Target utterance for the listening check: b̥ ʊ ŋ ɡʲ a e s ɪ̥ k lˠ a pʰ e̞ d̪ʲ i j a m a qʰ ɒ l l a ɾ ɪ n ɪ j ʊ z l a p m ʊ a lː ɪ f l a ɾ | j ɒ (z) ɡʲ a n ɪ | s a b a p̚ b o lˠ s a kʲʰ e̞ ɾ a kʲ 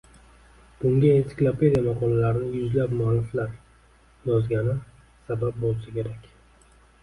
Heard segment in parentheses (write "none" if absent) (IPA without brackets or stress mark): z